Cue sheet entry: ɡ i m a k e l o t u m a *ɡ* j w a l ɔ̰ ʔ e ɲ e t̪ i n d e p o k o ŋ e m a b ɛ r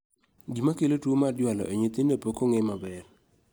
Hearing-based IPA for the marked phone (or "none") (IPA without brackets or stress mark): d